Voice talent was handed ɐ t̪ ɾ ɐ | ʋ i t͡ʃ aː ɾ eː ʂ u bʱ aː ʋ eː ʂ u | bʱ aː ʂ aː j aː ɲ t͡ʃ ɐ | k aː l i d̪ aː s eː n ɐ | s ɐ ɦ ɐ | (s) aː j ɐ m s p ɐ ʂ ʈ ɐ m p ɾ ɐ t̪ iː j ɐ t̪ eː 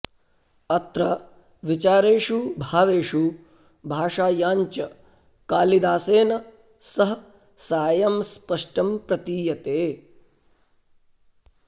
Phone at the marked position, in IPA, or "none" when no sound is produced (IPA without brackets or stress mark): s